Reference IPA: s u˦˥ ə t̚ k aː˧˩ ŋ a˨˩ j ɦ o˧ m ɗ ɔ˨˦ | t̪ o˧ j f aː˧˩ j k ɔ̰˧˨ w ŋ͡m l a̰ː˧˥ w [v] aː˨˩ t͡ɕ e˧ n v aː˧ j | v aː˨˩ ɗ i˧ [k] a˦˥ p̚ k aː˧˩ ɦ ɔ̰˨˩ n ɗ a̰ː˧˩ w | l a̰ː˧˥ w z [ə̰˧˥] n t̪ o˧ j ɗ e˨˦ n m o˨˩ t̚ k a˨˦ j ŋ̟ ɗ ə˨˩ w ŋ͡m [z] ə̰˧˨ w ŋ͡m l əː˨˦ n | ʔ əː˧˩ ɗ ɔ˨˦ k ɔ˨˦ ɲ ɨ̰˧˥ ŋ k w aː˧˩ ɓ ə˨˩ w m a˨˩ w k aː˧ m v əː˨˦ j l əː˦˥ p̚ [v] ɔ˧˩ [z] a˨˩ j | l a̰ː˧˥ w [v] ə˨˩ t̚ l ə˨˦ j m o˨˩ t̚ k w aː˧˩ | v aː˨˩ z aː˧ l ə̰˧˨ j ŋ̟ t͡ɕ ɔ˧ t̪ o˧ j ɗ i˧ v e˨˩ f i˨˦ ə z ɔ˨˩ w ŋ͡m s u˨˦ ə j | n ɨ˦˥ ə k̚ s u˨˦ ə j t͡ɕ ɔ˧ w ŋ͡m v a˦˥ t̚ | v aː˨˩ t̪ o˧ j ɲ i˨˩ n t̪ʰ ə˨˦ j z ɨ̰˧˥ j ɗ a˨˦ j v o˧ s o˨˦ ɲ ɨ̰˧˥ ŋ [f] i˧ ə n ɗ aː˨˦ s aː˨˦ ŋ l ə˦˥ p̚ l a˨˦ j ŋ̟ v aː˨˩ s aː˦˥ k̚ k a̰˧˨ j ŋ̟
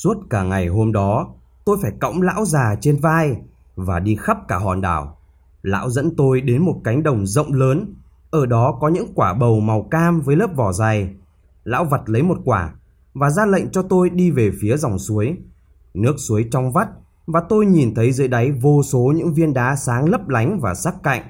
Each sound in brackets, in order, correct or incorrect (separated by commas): incorrect, incorrect, correct, correct, correct, correct, correct, incorrect